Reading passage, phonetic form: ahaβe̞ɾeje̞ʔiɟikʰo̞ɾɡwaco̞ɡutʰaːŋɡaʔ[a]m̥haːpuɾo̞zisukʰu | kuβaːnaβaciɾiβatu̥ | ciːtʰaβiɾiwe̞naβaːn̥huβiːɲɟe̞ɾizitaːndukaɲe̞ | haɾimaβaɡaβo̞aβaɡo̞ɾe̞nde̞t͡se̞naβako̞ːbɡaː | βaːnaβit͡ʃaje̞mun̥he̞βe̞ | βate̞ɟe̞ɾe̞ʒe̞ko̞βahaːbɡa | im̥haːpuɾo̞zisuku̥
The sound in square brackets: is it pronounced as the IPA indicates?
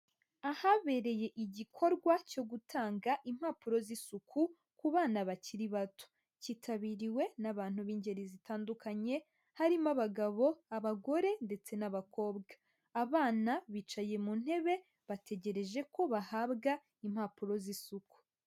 no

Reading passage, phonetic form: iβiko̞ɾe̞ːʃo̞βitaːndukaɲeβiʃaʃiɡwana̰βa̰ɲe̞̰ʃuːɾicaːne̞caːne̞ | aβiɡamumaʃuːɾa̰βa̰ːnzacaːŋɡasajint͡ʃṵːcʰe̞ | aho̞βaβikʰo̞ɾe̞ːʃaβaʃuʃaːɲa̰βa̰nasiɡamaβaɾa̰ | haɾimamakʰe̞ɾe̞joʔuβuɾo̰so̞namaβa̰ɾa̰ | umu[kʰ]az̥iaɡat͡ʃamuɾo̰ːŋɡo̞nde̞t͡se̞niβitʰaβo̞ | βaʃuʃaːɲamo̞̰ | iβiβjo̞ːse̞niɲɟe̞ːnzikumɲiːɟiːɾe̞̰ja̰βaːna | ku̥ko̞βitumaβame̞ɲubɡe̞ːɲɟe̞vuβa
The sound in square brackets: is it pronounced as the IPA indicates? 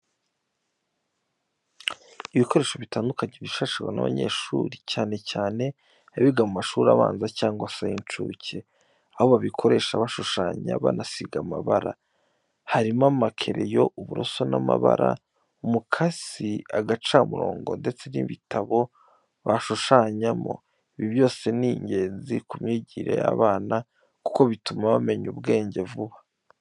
yes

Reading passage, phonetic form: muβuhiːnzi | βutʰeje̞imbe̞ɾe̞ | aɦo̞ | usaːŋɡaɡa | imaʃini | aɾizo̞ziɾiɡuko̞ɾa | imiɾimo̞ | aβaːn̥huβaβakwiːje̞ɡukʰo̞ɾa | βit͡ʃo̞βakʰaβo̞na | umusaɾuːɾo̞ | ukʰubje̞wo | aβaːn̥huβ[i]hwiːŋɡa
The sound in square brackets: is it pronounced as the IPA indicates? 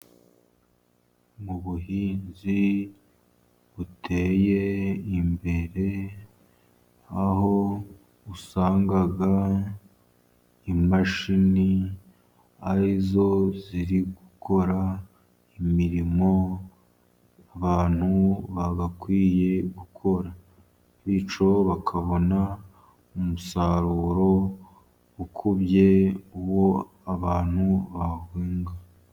no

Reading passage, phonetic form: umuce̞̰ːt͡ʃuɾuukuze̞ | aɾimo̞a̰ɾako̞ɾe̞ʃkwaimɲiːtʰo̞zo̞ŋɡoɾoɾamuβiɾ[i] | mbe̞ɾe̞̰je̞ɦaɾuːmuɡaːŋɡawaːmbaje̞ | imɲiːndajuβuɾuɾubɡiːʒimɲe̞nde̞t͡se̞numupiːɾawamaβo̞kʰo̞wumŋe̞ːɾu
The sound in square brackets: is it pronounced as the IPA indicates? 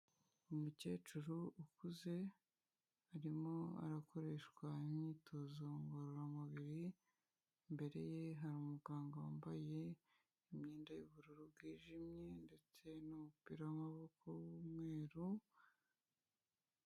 yes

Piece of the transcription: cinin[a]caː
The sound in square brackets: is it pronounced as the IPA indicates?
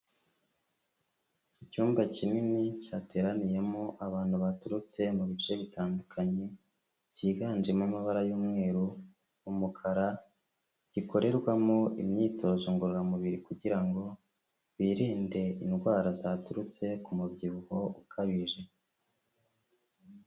no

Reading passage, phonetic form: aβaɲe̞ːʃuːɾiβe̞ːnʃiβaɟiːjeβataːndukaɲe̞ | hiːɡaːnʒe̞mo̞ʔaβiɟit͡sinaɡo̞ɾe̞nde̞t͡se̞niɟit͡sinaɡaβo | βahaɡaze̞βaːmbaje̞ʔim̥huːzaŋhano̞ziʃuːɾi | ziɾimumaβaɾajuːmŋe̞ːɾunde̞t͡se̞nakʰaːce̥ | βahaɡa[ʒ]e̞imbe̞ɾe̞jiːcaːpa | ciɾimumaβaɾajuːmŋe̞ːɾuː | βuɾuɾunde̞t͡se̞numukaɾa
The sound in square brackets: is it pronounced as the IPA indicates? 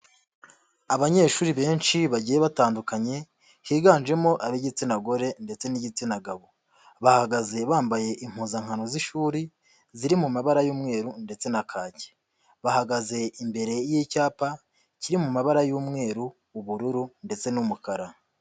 no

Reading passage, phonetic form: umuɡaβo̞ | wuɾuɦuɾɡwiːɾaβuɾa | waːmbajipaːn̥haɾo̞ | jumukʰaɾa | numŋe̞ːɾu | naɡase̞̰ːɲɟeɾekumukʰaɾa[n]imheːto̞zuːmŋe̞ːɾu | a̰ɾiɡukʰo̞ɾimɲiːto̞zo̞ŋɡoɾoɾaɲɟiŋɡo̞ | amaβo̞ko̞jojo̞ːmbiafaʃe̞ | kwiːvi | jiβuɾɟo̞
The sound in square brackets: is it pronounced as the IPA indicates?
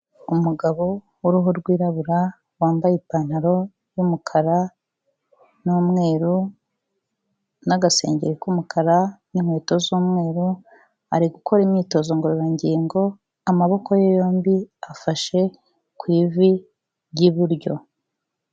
yes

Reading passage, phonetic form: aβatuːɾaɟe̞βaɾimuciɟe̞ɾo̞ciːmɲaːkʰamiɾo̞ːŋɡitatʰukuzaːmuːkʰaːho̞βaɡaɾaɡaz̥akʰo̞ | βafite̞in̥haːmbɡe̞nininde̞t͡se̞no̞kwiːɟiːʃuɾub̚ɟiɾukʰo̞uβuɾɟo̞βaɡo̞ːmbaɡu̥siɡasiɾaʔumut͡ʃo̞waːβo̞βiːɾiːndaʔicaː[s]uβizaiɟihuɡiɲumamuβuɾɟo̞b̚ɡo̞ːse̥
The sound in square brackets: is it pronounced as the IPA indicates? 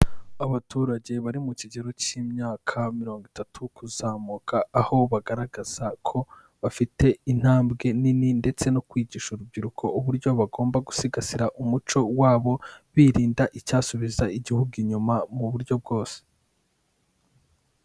yes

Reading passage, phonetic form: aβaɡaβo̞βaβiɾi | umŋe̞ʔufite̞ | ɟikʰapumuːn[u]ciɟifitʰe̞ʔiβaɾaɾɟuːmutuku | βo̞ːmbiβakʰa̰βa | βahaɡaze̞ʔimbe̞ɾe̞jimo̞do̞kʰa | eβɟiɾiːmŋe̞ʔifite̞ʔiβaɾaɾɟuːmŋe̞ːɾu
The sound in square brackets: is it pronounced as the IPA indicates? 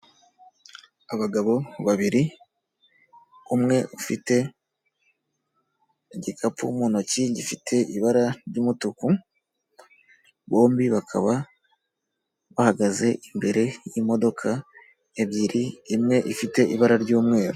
no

